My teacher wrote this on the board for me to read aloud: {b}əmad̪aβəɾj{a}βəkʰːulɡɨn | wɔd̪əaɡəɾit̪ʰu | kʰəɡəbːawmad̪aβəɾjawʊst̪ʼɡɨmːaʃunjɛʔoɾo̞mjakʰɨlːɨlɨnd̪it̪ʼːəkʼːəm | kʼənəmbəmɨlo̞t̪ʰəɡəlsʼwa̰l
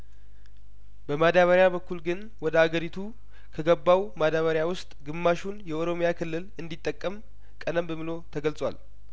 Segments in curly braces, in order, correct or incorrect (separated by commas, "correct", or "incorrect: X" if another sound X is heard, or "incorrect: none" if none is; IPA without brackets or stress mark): correct, correct